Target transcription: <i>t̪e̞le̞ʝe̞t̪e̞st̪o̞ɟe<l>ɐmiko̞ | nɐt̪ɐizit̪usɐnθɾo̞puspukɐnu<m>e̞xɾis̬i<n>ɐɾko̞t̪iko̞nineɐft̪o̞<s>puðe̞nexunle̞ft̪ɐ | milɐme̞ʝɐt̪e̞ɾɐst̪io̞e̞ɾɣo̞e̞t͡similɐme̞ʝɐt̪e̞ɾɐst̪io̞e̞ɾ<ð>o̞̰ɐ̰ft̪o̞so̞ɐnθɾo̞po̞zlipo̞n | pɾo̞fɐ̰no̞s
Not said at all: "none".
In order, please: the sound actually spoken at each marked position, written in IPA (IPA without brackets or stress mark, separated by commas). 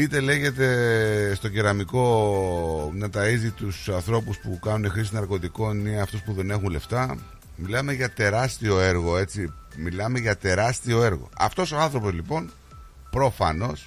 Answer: i, ɾ, n, n, s, ɣ